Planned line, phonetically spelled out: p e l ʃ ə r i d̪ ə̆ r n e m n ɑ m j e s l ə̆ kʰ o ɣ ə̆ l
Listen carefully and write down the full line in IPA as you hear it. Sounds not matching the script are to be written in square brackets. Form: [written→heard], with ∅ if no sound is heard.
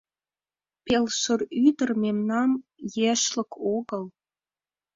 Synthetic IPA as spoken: p e l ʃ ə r [i→y] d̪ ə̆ r [n→m] e m n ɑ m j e [s→ʃ] l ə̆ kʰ o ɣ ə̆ l